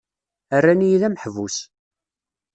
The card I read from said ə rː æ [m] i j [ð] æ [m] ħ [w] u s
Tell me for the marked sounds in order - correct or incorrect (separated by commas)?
incorrect, correct, correct, incorrect